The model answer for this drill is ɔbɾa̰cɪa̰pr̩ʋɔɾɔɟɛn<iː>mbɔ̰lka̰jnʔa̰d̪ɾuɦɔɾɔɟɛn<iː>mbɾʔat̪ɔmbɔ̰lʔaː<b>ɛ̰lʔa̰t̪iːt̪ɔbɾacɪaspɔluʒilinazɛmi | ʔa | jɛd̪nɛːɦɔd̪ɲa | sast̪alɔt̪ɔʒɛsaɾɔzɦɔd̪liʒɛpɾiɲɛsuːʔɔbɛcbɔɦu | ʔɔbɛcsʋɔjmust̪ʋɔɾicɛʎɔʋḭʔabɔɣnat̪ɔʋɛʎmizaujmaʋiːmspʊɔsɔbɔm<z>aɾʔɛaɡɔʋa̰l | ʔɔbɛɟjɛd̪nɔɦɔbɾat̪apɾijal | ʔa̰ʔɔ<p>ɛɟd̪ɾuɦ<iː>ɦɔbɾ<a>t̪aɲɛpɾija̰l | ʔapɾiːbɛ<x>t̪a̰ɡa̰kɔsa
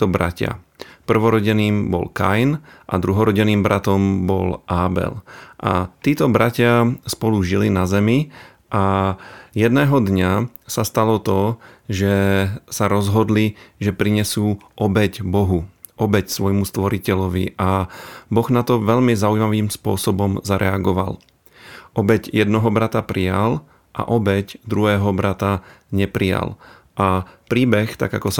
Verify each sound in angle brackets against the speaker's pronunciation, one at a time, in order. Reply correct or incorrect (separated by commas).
correct, correct, correct, correct, incorrect, incorrect, correct, correct